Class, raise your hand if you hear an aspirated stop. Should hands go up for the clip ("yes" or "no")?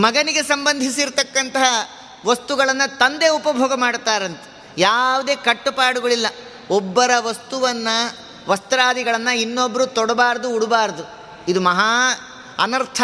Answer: yes